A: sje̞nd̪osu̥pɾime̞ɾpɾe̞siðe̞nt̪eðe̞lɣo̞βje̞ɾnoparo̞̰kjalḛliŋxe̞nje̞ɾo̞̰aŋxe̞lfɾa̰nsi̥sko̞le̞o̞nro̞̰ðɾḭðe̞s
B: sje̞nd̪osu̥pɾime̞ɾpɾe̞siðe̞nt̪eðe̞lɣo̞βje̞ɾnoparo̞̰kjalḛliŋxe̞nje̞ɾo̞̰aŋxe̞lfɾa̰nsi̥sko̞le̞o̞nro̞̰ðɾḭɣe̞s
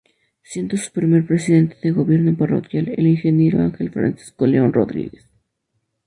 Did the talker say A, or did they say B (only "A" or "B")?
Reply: B